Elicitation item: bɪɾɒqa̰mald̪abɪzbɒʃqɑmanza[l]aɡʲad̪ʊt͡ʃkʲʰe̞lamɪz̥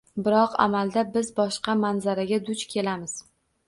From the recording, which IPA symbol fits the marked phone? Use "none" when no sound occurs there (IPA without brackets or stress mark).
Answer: ɾ